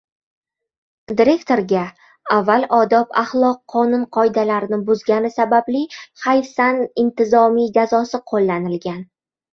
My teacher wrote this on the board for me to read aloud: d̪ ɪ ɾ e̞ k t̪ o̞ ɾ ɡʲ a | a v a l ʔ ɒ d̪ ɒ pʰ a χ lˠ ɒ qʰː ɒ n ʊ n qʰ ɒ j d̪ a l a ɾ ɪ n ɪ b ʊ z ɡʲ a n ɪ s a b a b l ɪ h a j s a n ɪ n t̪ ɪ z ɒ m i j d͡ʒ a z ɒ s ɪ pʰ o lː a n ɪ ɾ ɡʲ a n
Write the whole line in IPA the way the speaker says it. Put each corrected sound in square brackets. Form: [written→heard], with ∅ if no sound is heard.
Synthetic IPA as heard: d̪ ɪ ɾ e̞ k t̪ o̞ ɾ ɡʲ a | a [v→vː] a l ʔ ɒ d̪ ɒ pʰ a χ lˠ ɒ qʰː ɒ n ʊ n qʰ ɒ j d̪ a l a ɾ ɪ n ɪ b ʊ z ɡʲ a n ɪ s a b a b l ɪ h a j s a n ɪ n t̪ ɪ z ɒ m i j d͡ʒ a z ɒ s ɪ [pʰ→qʰ] o lː a n ɪ [ɾ→l] ɡʲ a n